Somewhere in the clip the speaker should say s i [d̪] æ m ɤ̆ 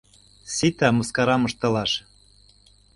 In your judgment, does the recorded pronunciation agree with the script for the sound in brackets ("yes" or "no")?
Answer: no